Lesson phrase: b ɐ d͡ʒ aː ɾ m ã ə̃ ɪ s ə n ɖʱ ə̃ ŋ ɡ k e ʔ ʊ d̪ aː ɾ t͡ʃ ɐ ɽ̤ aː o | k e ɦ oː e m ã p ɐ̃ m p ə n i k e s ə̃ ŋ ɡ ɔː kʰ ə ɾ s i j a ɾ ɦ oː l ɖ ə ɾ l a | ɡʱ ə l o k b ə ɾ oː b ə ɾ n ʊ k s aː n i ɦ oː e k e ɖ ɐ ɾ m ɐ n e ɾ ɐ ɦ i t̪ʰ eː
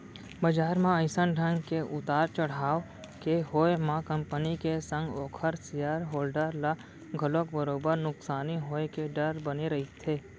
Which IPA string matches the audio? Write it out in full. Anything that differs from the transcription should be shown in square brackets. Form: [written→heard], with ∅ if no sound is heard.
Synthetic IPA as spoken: b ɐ d͡ʒ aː ɾ m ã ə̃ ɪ s ə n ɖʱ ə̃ ŋ ɡ k e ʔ ʊ [d̪→t̪] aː ɾ t͡ʃ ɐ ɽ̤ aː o | k e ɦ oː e m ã [p→k] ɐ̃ m p ə n i k e s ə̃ ŋ ɡ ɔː kʰ ə ɾ s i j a ɾ ɦ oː l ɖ ə ɾ l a | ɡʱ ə l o k b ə ɾ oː b ə ɾ n ʊ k s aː n i ɦ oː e k e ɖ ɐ ɾ [m→b] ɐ n e ɾ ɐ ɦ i t̪ʰ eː